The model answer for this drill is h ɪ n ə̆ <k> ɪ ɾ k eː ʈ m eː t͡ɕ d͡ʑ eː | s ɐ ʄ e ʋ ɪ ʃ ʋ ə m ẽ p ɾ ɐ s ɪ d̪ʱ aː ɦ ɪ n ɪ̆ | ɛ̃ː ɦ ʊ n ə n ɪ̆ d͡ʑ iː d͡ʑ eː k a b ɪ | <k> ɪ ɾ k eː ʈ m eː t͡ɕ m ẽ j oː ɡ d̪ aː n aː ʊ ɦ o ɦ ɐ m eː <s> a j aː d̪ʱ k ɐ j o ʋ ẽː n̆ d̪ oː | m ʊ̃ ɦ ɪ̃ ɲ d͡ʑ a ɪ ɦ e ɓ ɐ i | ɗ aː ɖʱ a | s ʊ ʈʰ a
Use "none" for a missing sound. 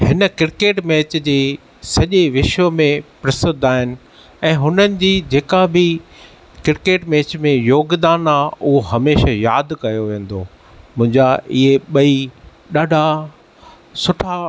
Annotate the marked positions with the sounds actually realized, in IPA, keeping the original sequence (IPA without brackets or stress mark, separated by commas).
k, k, ʃ